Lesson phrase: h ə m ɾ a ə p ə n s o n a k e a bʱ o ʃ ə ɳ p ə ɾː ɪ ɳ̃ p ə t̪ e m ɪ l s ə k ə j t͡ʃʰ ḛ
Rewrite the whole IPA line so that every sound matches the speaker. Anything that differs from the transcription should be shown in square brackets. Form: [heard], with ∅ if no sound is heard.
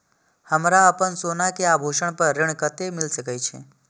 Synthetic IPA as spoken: h ə m ɾ a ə p ə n s o n a k e a bʱ o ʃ ə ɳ p ə ɾː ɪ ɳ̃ [k] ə t̪ e m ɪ l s ə k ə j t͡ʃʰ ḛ